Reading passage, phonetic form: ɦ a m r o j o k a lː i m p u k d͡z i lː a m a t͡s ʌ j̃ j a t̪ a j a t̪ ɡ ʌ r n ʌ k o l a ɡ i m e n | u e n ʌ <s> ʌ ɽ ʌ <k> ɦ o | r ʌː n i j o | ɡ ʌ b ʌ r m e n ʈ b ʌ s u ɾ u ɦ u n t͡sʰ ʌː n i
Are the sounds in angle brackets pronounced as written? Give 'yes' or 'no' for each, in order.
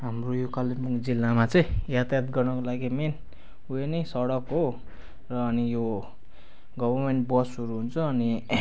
yes, yes

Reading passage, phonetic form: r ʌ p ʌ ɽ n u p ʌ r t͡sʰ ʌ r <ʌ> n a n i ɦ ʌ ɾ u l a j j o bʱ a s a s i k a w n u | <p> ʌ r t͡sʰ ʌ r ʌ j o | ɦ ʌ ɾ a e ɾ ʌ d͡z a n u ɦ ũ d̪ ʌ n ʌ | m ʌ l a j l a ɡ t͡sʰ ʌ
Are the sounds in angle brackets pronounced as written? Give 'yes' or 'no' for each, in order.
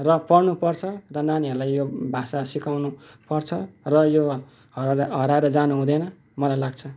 yes, yes

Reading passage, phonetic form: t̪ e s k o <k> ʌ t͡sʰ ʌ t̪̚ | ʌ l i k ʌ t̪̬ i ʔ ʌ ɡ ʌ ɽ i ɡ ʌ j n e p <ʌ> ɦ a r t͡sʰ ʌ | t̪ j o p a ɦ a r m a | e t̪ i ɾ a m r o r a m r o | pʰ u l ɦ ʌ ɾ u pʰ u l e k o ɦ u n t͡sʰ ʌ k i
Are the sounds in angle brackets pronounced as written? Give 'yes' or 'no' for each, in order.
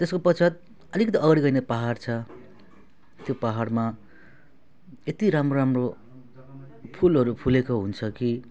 no, no

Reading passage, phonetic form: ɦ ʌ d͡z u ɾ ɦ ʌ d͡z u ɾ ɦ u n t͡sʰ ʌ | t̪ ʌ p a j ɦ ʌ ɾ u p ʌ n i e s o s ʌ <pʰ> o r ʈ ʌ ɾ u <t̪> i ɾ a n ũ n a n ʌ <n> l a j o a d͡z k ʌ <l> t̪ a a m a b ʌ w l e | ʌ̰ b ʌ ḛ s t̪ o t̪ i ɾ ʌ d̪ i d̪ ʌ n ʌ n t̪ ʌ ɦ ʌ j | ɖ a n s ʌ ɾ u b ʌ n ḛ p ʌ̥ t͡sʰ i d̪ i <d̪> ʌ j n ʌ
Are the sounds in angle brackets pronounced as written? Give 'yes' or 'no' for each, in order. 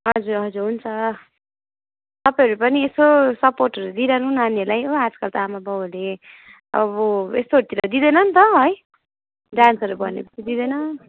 no, no, no, yes, yes

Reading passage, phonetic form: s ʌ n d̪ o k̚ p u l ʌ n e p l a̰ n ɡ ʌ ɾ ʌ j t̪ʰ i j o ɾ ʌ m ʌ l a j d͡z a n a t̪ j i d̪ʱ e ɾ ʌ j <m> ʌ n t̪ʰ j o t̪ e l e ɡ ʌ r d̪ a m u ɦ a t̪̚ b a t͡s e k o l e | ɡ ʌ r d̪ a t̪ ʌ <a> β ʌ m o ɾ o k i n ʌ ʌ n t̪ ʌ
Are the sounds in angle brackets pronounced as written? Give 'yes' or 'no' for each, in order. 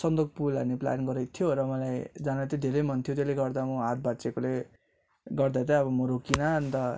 yes, no

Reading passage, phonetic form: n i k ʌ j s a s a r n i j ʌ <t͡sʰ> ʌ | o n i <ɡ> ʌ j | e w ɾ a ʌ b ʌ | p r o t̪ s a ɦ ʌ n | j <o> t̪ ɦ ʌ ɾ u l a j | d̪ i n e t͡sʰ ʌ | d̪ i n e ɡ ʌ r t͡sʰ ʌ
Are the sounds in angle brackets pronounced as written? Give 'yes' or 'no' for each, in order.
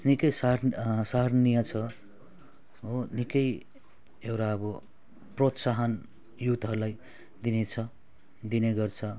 yes, no, no

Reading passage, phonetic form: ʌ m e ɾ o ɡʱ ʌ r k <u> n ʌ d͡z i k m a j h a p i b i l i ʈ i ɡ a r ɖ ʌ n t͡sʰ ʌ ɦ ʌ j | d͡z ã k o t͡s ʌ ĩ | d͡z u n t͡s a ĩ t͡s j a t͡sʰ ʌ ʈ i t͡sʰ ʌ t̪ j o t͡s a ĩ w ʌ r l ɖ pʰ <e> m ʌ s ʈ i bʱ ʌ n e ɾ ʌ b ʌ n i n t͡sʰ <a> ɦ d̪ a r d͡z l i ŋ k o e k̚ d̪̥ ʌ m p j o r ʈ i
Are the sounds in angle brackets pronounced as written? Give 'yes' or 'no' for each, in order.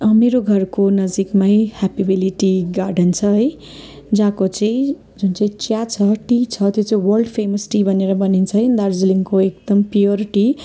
no, yes, no

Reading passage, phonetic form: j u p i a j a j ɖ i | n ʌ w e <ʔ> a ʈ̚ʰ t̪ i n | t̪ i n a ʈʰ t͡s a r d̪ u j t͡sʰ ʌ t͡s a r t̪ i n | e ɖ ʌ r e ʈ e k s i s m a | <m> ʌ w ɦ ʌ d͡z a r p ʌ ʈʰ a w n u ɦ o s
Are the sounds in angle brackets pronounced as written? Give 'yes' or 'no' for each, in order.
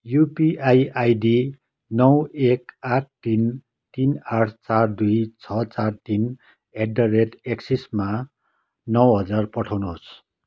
no, no

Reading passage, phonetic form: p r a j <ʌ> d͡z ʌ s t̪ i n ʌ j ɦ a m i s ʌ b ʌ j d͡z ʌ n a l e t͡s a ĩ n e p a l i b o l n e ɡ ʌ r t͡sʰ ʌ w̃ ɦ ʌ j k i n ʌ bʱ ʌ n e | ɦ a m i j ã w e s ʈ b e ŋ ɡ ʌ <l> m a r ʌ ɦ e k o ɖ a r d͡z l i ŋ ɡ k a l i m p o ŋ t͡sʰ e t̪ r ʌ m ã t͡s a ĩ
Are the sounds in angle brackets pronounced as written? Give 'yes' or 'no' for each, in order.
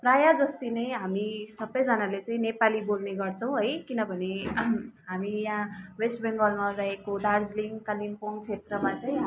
no, yes

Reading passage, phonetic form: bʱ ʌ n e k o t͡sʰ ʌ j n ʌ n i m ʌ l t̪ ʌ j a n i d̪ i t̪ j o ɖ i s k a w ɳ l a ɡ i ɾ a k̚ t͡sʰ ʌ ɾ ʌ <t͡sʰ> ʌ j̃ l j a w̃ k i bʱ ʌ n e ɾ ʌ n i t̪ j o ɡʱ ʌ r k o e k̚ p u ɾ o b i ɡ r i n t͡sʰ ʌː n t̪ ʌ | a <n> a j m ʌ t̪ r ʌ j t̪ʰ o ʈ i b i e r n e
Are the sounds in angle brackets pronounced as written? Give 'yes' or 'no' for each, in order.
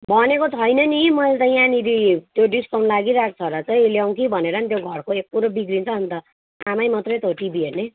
no, no

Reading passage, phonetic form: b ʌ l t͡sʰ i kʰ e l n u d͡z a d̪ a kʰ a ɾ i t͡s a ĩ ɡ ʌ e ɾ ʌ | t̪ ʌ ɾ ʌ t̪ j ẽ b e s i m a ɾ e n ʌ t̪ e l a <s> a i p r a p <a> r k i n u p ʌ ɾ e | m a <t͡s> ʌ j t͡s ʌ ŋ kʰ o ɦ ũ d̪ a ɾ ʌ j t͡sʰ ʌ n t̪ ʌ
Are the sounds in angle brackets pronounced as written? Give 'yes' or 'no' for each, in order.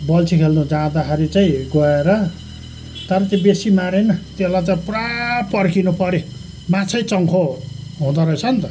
no, no, no

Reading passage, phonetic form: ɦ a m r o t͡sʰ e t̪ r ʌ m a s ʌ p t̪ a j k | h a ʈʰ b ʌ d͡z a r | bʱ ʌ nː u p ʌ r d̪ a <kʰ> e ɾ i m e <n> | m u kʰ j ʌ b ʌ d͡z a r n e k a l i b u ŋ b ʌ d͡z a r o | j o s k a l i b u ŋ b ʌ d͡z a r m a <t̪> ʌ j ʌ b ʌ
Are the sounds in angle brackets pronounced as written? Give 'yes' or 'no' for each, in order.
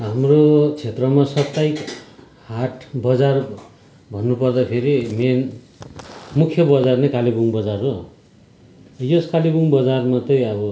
no, yes, yes

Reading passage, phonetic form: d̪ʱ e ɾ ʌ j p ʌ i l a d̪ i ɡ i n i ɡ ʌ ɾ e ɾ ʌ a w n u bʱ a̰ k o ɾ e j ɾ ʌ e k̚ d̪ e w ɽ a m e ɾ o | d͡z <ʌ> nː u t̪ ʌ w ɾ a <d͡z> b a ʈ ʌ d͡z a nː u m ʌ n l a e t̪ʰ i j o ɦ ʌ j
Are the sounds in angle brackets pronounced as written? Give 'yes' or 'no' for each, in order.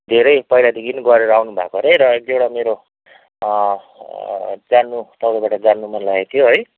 no, no

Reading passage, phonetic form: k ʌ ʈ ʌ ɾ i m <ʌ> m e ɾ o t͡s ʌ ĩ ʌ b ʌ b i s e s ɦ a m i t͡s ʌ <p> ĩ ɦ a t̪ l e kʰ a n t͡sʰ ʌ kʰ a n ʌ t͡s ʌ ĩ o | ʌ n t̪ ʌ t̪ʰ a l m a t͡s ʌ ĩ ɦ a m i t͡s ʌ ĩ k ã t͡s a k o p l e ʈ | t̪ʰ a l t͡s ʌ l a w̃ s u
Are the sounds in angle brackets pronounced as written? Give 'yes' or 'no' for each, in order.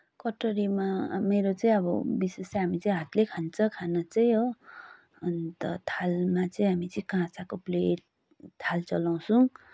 no, no

